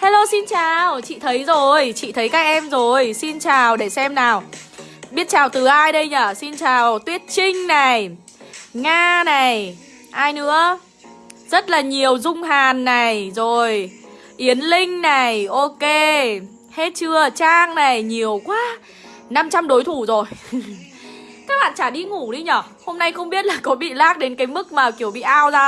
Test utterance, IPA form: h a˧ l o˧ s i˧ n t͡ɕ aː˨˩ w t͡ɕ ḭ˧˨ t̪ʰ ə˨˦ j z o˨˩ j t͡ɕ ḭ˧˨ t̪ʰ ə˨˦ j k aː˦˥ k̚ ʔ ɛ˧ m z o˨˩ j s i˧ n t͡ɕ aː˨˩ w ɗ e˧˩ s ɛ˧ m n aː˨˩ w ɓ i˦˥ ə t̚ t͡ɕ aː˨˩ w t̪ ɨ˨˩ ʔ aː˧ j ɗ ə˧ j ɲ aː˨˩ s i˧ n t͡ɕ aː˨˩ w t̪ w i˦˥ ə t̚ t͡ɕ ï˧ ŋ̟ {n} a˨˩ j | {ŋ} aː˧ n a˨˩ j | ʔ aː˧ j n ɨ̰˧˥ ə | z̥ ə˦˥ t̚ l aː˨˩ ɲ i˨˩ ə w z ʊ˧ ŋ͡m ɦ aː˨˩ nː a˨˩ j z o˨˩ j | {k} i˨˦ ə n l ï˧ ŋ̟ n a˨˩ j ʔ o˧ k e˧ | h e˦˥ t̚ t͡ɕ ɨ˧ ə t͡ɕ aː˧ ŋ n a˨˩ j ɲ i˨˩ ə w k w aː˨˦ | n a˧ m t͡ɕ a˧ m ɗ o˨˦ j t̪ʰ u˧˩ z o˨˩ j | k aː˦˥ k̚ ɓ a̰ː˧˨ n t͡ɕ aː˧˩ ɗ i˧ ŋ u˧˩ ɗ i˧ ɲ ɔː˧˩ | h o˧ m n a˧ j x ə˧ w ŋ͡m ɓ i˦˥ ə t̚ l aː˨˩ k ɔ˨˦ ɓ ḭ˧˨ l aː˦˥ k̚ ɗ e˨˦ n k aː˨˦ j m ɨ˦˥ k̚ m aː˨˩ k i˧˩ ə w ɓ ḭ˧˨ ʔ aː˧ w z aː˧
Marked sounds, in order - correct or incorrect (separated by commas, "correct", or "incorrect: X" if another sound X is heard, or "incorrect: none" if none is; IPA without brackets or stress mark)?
correct, correct, incorrect: ʔ